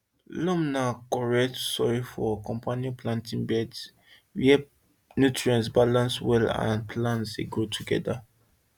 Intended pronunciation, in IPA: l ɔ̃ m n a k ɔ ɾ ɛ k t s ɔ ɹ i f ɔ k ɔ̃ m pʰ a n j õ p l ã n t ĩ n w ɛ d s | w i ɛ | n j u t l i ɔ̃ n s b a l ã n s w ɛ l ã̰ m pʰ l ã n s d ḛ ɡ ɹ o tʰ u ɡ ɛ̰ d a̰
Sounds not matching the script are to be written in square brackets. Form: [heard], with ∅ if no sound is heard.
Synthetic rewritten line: l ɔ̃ m n a k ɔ [ɹ] ɛ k t s ɔ ɹ i f ɔ k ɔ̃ m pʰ a n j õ p l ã n t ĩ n [b] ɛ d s | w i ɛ | n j u t [ɹ] i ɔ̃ n s b a l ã n s w ɛ l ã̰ [n] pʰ l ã n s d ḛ ɡ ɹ o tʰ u ɡ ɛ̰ d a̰